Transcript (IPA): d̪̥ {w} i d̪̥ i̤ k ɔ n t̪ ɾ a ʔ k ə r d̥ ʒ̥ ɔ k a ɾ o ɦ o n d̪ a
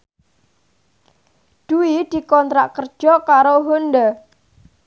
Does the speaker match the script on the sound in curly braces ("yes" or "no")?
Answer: no